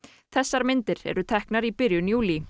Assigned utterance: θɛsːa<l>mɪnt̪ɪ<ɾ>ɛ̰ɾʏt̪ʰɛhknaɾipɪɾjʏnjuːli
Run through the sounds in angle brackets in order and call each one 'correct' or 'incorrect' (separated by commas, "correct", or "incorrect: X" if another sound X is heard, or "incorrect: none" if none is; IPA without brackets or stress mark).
incorrect: ɾ, correct